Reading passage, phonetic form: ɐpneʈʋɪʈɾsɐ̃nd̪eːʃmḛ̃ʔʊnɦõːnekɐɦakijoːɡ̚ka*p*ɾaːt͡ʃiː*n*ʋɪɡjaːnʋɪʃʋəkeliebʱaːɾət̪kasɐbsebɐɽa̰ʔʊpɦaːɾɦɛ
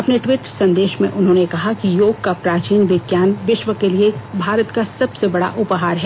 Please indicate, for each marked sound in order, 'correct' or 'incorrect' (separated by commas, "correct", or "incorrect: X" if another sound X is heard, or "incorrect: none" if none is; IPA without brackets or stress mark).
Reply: correct, correct